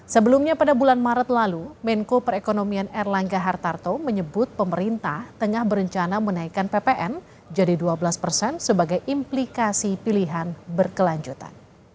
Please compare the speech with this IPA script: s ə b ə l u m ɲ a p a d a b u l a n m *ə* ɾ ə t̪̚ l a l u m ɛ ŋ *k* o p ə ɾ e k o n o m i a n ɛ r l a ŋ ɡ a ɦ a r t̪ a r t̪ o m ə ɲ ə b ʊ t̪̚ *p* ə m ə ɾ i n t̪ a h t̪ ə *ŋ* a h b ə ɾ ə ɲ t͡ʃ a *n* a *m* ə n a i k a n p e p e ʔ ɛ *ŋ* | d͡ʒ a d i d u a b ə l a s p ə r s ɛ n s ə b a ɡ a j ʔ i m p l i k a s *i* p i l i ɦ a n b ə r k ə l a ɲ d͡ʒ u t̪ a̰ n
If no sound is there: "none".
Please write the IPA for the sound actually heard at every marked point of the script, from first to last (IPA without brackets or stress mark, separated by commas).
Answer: a, k, p, ŋ, n, m, n, i